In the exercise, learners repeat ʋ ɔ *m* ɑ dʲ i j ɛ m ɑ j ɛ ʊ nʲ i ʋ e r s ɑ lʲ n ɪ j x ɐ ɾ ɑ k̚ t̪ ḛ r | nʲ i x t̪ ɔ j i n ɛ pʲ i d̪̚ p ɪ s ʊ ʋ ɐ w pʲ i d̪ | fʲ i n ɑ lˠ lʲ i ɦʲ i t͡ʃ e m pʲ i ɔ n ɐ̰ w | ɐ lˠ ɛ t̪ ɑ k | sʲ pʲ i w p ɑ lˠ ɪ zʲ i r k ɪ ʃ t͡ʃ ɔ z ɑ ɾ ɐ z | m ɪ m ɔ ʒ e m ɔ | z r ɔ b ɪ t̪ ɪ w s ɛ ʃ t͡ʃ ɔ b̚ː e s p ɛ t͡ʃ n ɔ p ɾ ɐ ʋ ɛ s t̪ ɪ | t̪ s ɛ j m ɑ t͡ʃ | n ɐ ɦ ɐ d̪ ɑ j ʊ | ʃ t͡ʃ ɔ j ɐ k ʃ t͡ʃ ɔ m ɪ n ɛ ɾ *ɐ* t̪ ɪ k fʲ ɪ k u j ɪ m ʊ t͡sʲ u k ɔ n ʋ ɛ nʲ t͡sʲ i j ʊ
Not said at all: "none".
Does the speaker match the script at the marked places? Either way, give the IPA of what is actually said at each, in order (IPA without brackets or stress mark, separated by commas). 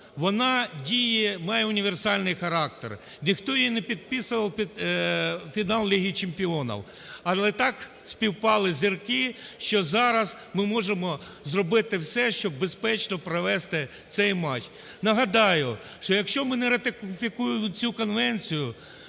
n, ɐ